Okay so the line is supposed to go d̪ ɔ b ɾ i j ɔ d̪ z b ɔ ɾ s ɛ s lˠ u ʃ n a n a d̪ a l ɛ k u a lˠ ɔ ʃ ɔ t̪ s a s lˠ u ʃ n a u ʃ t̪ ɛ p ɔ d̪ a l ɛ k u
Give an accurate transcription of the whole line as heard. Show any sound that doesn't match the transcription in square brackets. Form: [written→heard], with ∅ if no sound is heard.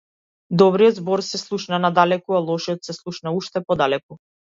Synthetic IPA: d̪ ɔ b ɾ i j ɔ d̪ z b ɔ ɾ s ɛ s lˠ u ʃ n a n a d̪ a l ɛ k u a lˠ ɔ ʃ ɔ t̪ s [a→ɛ] s lˠ u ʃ n a u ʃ t̪ ɛ p ɔ d̪ a l ɛ k u